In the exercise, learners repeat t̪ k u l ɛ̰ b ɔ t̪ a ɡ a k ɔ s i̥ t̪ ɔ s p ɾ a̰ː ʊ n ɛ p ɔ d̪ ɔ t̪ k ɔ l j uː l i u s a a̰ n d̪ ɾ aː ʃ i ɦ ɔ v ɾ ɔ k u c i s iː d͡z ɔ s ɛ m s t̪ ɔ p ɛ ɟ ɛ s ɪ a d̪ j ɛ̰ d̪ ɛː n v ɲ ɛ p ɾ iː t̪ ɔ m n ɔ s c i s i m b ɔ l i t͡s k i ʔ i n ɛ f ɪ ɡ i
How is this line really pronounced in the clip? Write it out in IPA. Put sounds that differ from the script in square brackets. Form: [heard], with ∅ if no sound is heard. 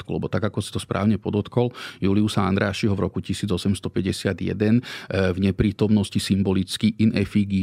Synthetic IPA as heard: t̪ k u l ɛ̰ b ɔ t̪ a ɡ a k ɔ s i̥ t̪ ɔ s p ɾ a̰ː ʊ [ɲ] ɛ p ɔ d̪ ɔ t̪ k ɔ l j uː l i u s a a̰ n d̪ ɾ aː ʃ i ɦ ɔ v ɾ ɔ k u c i s iː d͡z ɔ s ɛ m s t̪ ɔ p ɛ ɟ ɛ s ɪ a d̪ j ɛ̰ d̪ [ɛ] n v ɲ ɛ p ɾ iː t̪ ɔ m n ɔ s c i s i m b ɔ l i t͡s k i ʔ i n ɛ f [i] ɡ i